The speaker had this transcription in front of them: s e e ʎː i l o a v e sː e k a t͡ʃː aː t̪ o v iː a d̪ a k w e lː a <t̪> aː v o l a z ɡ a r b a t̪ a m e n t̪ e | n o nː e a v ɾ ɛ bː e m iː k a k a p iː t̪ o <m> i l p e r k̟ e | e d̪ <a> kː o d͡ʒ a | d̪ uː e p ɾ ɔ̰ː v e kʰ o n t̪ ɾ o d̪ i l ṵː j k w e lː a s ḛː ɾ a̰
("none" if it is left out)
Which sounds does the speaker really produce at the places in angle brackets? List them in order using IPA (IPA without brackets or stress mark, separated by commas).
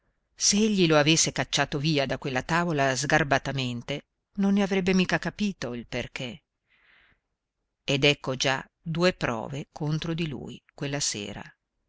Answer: t̪, none, ɛ